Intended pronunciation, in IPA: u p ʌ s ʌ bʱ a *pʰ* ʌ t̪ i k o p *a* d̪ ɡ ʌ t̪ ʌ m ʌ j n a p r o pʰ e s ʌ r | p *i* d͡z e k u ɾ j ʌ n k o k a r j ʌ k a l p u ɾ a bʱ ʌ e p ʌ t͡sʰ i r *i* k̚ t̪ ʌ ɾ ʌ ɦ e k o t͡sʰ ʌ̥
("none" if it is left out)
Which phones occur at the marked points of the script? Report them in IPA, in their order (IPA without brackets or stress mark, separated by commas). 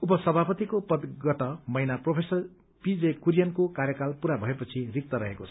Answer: p, ʌ, i, i